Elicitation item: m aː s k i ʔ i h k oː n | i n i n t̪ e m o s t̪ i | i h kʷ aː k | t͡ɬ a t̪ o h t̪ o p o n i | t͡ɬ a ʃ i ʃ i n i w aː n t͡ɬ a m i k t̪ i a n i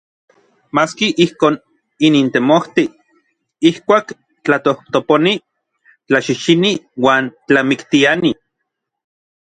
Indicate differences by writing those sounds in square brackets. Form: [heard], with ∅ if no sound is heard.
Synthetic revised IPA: m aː s k i ʔ i h k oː n | i n i n t̪ e m o [h] t̪ i | i h kʷ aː k | t͡ɬ a t̪ o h t̪ o p o n i | t͡ɬ a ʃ i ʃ i n i w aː n t͡ɬ a m i k t̪ i a n i

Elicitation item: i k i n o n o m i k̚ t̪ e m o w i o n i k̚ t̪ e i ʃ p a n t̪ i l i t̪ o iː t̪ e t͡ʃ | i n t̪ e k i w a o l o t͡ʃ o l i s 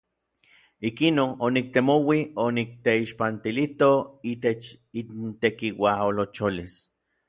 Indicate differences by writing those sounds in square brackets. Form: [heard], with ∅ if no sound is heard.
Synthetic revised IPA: i k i n o n o [n] i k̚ t̪ e m o w i o n i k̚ t̪ e i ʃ p a n t̪ i l i t̪ o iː t̪ e t͡ʃ | i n t̪ e k i w a o l o t͡ʃ o l i s

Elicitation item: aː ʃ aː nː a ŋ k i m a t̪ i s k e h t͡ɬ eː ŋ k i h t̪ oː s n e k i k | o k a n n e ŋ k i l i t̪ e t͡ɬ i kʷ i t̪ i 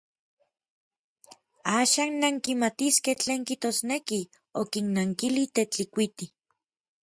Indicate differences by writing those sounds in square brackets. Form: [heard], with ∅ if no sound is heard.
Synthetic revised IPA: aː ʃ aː nː a ŋ k i m a t̪ i s k e h t͡ɬ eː ŋ k i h t̪ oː s n e k i [∅] | o k [i] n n [a] ŋ k i l i t̪ e t͡ɬ i kʷ i t̪ i

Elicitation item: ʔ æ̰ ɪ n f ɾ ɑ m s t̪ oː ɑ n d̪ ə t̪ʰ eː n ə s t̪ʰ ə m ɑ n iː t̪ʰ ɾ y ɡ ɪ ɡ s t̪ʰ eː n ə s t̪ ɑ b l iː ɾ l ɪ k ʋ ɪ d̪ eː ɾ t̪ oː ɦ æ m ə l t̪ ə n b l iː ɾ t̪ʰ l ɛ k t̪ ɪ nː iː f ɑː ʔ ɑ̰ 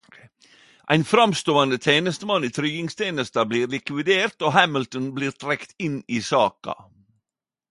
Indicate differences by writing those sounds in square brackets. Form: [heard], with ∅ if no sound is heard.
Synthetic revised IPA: ʔ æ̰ ɪ n f ɾ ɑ m s t̪ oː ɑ n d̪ ə t̪ʰ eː n ə s [t̪] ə m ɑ n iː t̪ʰ ɾ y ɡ ɪ [ŋ] s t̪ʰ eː n ə s t̪ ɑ b l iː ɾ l ɪ k ʋ ɪ d̪ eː ɾ t̪ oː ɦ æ m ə l t̪ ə n b l iː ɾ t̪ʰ [ɾ] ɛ k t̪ ɪ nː iː [s] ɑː [k] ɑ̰

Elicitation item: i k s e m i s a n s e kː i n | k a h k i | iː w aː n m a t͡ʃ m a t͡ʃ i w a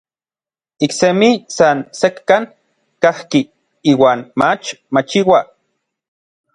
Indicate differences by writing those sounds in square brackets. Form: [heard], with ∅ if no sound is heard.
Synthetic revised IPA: i k s e m i s a n s e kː [a] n | k a h k i | iː w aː n m a t͡ʃ m a t͡ʃ i w a

